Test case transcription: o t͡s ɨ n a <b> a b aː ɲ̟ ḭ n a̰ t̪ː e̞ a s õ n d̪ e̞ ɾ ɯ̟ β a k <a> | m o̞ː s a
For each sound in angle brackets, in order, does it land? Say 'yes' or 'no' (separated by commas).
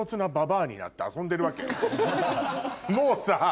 yes, no